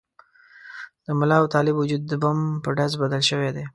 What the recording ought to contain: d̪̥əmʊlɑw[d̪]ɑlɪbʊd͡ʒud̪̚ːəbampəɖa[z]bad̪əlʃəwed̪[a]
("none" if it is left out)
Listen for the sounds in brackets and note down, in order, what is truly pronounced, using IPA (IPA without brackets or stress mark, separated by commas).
t̪, z, e